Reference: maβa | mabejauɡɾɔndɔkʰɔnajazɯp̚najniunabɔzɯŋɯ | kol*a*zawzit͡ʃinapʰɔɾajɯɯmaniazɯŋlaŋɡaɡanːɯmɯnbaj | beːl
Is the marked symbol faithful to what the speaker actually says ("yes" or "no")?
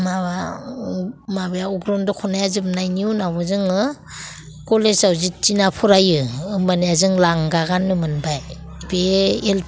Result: no